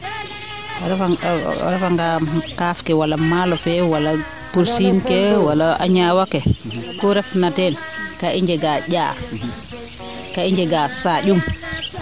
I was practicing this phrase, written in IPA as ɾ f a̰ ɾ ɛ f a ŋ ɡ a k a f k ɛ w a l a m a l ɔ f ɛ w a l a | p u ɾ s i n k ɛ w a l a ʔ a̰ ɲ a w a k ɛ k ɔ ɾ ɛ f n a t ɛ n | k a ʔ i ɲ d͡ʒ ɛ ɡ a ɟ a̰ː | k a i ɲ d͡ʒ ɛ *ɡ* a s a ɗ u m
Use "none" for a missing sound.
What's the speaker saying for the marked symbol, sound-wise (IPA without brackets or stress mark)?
ɡ